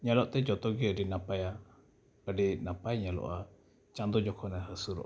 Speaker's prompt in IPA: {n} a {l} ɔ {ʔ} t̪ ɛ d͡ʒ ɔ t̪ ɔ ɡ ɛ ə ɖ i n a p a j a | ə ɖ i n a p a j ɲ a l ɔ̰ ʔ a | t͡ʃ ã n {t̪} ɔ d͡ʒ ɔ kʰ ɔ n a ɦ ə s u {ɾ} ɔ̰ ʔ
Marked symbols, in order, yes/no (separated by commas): no, yes, yes, no, yes